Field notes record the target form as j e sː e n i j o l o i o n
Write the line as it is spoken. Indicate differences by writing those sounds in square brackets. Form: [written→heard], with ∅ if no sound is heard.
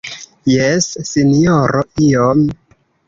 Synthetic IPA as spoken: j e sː [e→i] n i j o [l→ɾ] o i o [n→m]